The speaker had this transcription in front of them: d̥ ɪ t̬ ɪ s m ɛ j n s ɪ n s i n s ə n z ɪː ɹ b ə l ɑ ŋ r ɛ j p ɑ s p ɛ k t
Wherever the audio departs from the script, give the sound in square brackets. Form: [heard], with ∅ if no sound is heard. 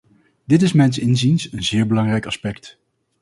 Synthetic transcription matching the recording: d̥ ɪ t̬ ɪ s m ɛ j n s ɪ n [z] i n s ə n z ɪː ɹ b ə l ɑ ŋ r ɛ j [k] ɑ s p ɛ k t